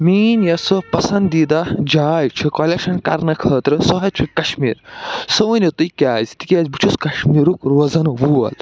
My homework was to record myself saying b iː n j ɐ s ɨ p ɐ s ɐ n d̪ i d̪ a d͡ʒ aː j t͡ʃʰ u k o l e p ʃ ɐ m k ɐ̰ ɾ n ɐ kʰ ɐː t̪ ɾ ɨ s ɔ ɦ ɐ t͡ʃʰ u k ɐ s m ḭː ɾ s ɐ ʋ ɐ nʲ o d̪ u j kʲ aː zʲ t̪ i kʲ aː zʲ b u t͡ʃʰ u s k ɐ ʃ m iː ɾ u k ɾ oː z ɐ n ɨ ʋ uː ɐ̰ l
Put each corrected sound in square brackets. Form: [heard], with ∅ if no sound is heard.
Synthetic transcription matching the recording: [m] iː n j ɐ s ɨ p ɐ s ɐ n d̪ i d̪ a d͡ʒ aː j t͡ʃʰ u k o l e [k] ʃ ɐ [n] k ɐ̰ ɾ n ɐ kʰ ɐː t̪ ɾ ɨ s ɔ ɦ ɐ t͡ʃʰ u k ɐ [ʃ] m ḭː ɾ s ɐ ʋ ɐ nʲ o [t̪] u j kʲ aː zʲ t̪ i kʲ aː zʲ b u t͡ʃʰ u s k ɐ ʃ m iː ɾ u k ɾ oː z ɐ n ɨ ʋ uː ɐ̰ l